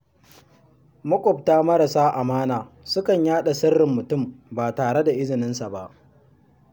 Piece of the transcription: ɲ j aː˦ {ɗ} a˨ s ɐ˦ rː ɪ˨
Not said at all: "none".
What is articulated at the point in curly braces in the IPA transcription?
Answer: ɗ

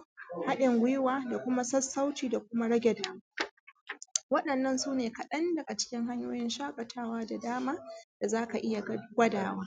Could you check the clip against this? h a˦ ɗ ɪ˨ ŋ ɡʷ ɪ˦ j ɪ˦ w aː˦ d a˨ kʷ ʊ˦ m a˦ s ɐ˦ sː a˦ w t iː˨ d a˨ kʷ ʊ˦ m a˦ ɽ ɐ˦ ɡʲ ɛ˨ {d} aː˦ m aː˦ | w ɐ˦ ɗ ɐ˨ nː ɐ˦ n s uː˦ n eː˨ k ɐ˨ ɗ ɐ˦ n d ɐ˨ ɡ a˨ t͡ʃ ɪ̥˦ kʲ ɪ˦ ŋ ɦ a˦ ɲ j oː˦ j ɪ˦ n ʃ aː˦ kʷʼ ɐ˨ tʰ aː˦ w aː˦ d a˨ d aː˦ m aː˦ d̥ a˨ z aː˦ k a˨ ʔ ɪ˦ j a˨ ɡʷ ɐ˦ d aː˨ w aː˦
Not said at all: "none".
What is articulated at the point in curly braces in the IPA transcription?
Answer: d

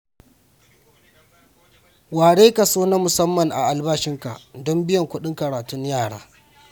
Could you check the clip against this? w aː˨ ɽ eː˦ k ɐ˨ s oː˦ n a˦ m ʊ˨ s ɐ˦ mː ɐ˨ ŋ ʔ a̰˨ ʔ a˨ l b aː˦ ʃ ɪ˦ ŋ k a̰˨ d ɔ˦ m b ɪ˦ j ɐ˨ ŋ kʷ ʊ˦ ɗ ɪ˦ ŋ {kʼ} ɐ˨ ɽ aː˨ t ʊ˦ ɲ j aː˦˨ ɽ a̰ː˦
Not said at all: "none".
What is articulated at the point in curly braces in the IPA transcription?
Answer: k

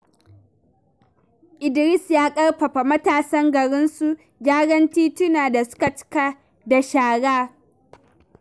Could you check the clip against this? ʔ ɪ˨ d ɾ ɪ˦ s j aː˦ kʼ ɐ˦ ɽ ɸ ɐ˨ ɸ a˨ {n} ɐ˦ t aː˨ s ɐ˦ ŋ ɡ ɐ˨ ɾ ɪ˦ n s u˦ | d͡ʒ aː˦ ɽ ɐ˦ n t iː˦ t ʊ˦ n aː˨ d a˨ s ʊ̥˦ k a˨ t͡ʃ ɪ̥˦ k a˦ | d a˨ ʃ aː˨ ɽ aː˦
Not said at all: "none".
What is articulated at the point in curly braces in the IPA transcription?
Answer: m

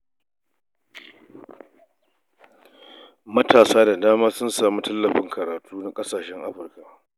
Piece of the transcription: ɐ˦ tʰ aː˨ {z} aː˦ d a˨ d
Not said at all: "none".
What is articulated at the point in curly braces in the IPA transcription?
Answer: s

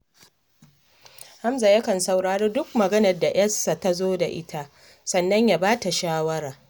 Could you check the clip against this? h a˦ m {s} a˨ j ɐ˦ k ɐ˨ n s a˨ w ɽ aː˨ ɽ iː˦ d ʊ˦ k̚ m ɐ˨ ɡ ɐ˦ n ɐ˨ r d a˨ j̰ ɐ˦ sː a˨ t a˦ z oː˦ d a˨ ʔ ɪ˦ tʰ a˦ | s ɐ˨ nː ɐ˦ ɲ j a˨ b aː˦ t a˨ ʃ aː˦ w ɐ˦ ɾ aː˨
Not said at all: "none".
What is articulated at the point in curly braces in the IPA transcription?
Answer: z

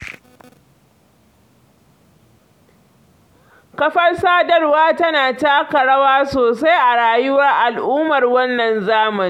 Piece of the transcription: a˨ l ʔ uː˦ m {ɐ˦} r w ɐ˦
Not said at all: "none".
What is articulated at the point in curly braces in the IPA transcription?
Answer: ɐ˨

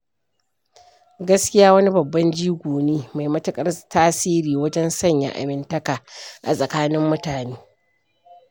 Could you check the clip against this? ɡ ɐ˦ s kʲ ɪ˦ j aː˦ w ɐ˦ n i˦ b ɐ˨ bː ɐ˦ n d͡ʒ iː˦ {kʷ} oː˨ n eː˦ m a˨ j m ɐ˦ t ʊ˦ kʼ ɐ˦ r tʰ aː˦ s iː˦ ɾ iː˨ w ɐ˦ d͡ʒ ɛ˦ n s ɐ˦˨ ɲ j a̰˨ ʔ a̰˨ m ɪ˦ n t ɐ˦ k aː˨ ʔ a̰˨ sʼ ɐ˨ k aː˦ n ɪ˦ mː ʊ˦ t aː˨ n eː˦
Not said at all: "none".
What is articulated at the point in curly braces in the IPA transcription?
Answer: ɡʷ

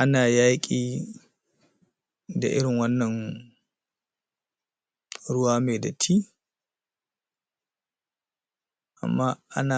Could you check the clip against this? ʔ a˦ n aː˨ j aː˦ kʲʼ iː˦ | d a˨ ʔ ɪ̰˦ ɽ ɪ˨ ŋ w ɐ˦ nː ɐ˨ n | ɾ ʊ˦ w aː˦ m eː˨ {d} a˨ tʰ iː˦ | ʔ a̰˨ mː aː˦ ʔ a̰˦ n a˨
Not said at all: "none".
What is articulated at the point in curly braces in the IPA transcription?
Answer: d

